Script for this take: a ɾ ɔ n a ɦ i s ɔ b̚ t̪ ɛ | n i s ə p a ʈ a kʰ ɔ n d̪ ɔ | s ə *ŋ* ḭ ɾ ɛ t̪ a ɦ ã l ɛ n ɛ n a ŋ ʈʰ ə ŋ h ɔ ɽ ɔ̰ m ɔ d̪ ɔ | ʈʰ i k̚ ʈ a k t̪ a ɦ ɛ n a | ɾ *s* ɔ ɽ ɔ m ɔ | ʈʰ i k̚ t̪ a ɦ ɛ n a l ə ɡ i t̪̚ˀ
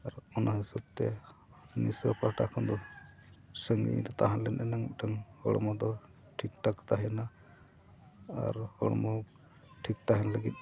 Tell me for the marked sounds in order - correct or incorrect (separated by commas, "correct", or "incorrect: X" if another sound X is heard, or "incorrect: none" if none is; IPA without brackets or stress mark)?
correct, incorrect: h